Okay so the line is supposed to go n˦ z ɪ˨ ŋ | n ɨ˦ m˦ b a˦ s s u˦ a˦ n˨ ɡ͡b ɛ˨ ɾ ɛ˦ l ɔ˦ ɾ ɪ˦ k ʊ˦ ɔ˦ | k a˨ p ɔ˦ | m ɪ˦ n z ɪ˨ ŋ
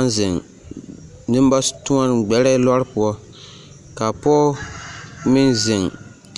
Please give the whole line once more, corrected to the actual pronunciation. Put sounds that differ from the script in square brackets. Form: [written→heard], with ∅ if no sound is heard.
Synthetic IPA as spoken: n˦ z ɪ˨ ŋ | n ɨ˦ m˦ b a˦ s [s→t] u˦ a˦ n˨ ɡ͡b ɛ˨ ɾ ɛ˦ l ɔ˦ ɾ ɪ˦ [k→p] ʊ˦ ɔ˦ | k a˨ p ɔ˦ | m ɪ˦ n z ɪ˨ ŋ